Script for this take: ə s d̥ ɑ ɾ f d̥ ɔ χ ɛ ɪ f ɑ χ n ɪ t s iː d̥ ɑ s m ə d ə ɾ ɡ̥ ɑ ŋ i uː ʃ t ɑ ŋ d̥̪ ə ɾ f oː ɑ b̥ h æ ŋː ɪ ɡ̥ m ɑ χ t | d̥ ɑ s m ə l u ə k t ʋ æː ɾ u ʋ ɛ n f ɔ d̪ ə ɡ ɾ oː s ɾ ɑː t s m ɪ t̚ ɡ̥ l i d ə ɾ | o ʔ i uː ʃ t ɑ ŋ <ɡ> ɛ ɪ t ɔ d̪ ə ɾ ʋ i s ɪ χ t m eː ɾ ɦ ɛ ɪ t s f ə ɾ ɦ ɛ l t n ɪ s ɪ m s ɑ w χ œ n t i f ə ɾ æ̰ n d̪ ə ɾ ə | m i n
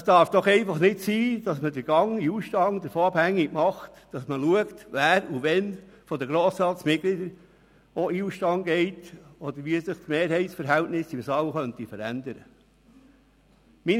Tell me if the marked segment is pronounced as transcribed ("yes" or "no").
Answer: yes